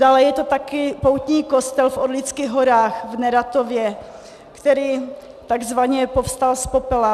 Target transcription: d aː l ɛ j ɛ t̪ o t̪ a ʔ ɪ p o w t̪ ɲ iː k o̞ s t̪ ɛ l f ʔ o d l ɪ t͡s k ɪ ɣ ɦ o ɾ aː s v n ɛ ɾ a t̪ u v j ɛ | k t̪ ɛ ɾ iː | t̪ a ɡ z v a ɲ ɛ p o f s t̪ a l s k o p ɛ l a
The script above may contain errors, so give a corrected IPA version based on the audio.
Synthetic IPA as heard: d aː l ɛ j ɛ t̪ o t̪ a k ɪ p o w t̪ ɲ iː k o̞ s t̪ ɛ l f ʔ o d l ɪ t͡s k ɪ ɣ ɦ o ɾ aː x v n ɛ ɾ a t̪ o v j ɛ | k t̪ ɛ ɾ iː | t̪ a ɡ z v a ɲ ɛ p o f s t̪ a l s p o p ɛ l a